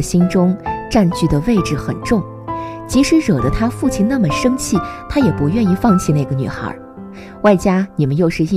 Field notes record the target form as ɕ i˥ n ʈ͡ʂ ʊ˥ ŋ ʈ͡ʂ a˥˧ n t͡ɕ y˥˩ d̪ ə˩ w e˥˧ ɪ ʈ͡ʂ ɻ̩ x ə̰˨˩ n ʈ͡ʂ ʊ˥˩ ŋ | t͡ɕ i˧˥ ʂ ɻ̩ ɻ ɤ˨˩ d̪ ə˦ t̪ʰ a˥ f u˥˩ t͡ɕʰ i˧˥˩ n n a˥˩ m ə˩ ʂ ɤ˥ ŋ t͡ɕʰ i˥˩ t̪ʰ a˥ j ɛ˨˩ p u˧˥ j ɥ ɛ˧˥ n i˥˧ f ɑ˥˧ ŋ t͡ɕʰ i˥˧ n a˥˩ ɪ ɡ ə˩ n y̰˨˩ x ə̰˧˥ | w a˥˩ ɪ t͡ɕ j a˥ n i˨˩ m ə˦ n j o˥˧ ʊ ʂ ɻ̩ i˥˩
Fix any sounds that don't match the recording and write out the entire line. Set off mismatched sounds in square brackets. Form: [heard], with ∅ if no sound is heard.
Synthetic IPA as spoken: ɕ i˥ n ʈ͡ʂ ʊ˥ ŋ ʈ͡ʂ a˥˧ n t͡ɕ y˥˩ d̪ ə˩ w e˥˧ ɪ ʈ͡ʂ ɻ̩ x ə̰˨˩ n ʈ͡ʂ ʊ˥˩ ŋ | t͡ɕ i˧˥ ʂ ɻ̩ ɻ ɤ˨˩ d̪ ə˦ t̪ʰ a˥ f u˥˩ t͡ɕʰ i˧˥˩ n n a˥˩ m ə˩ ʂ ɤ˥ ŋ t͡ɕʰ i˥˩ t̪ʰ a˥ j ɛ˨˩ p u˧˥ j ɥ [ɛ˥˧] n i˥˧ f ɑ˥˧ ŋ t͡ɕʰ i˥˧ n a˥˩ ɪ ɡ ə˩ n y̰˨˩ x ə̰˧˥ | w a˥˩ ɪ t͡ɕ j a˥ n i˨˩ m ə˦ n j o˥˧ ʊ ʂ ɻ̩ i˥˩